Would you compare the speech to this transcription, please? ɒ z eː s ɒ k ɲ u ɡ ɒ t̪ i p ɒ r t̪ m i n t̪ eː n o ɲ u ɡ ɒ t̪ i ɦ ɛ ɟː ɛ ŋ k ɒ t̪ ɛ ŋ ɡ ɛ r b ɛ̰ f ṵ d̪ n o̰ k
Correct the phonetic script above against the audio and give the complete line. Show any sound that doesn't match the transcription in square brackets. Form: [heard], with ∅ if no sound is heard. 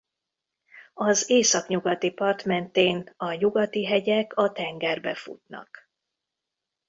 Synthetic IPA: ɒ z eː s ɒ k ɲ u ɡ ɒ t̪ i p ɒ r t̪ m [ɛ] n t̪ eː n [ɒ] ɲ u ɡ ɒ t̪ i ɦ ɛ [ɟ] ɛ [∅] k ɒ t̪ ɛ ŋ ɡ ɛ r b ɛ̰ f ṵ [t̪] n [ɒ̰] k